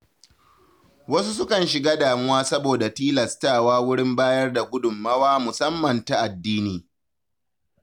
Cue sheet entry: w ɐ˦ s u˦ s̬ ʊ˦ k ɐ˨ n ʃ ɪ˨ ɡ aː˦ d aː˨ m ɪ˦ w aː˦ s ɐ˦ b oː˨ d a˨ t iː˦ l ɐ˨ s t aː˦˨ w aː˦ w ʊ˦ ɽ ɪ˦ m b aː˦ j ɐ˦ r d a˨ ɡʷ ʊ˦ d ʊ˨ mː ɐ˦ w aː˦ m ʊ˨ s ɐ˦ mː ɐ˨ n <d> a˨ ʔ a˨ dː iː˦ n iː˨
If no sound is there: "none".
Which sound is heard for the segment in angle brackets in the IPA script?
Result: t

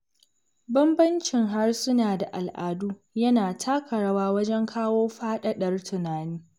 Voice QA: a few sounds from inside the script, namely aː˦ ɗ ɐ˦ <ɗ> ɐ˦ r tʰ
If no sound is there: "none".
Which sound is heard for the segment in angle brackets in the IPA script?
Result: ɗ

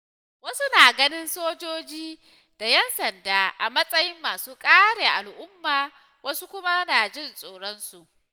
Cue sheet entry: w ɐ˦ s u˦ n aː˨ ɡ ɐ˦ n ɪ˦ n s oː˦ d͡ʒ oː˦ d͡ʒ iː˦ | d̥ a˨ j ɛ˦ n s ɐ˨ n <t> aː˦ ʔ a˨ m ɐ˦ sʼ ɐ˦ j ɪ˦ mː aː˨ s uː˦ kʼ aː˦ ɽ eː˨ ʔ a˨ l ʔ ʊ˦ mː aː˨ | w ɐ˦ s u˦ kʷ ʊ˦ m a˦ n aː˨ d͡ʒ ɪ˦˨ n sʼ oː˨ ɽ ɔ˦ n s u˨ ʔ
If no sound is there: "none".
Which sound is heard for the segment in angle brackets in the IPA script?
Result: d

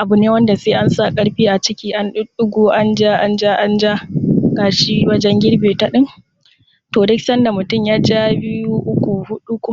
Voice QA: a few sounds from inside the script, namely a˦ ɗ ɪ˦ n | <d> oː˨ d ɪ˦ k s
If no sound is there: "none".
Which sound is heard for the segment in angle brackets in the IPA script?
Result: t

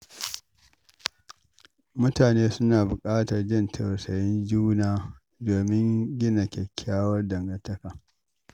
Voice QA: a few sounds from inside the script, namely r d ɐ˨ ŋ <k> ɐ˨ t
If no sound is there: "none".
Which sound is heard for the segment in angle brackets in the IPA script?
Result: ɡ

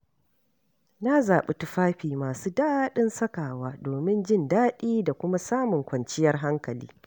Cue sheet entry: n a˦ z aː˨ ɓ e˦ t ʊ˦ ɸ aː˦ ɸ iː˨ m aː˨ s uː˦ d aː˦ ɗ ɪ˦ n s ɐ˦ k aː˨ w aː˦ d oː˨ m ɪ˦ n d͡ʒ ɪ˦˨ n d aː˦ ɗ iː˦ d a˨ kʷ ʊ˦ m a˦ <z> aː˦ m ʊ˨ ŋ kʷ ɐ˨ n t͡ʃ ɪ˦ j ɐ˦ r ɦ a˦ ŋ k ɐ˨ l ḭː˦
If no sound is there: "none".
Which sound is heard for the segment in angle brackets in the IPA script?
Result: s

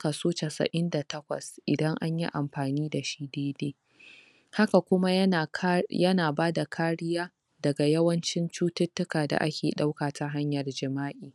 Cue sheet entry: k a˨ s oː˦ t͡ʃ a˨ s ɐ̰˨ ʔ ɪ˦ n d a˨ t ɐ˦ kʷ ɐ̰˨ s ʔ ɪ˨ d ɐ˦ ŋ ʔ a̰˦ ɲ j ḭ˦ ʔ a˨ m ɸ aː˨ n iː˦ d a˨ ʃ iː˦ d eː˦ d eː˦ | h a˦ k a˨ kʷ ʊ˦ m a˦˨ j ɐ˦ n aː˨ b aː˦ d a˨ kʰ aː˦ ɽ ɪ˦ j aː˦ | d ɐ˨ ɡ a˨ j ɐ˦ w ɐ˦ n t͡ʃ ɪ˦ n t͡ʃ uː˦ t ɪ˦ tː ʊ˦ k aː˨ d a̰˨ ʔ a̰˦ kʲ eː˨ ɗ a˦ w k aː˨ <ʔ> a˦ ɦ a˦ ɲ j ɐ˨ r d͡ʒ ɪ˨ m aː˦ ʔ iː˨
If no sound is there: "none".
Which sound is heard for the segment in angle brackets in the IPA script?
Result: t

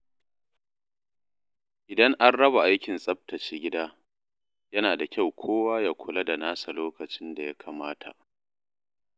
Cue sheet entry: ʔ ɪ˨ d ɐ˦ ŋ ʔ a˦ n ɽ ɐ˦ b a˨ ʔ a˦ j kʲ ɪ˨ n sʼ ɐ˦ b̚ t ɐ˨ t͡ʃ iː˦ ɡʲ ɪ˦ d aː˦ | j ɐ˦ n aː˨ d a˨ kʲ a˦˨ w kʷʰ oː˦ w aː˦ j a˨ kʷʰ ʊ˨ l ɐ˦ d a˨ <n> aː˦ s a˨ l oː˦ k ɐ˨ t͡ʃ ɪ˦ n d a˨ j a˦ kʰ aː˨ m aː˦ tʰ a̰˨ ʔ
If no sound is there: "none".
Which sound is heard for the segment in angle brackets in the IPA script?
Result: n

